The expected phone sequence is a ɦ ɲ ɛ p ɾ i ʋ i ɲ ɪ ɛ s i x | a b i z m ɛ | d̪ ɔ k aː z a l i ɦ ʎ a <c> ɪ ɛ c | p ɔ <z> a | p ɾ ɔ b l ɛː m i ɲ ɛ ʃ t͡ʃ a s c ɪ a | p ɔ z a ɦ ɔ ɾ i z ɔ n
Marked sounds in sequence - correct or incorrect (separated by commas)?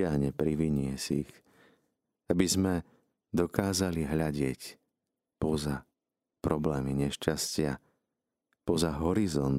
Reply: incorrect, correct